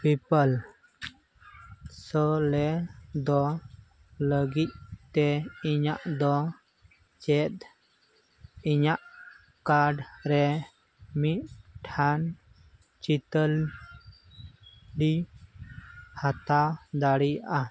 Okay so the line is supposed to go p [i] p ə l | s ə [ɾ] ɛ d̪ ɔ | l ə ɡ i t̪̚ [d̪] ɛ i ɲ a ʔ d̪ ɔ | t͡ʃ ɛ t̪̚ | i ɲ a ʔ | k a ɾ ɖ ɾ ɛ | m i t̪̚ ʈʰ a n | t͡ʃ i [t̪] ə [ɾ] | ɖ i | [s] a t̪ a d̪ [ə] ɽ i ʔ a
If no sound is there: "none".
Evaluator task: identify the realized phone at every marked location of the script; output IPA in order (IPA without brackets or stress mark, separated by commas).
i, l, t̪, t̪, l, h, a